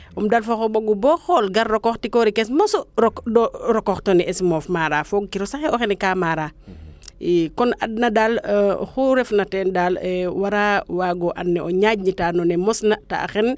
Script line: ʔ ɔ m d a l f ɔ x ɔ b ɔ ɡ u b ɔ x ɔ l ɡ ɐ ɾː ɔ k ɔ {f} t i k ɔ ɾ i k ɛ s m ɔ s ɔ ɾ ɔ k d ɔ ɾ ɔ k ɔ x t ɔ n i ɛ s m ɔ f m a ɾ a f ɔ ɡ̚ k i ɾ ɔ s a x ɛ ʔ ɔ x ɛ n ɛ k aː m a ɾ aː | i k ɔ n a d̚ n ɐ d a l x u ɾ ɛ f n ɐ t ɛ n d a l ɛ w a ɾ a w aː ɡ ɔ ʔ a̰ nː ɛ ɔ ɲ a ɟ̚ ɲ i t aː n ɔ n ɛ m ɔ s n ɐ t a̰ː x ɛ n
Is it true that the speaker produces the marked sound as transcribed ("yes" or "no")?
no